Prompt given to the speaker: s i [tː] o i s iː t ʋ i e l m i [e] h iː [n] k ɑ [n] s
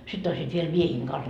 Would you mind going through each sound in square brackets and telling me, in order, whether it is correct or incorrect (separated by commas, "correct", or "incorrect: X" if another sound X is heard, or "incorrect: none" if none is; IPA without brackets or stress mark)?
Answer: correct, correct, incorrect: ŋ, correct